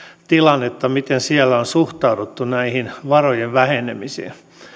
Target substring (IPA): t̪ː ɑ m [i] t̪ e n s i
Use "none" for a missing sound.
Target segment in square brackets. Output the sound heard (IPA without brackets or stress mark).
i